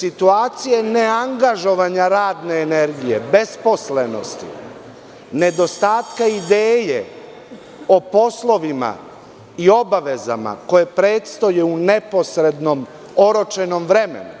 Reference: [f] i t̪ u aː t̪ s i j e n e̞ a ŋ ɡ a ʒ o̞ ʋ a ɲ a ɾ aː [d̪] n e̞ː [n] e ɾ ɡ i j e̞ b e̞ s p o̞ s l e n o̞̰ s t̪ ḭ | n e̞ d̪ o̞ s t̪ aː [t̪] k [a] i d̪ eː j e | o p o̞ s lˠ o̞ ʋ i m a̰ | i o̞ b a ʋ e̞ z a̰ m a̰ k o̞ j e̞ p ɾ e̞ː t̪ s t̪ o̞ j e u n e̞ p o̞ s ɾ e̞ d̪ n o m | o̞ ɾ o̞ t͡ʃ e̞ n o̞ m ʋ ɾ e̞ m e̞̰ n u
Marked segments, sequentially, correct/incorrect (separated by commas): incorrect, correct, correct, correct, correct